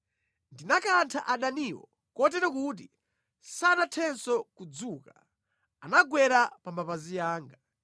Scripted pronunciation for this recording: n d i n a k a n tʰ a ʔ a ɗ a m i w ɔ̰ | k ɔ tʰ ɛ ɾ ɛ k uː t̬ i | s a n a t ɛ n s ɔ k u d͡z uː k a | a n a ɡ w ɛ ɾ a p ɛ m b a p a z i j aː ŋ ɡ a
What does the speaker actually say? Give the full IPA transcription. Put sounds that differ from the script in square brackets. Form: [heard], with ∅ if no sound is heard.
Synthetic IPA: n d i n a k a n tʰ a ʔ a ɗ a [n] i w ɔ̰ | k ɔ [t] ɛ ɾ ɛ k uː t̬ i | s a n a [tʰ] ɛ n s ɔ k u d͡z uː k a | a n a ɡ w ɛ ɾ a p [a] m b a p a z i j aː ŋ ɡ a